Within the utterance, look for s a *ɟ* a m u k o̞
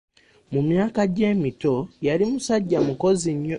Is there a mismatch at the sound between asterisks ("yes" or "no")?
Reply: yes